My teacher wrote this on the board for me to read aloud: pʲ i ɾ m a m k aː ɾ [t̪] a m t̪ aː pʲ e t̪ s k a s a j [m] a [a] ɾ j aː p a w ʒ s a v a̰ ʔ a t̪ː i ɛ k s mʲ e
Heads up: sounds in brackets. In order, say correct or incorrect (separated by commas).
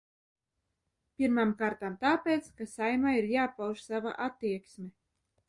correct, correct, incorrect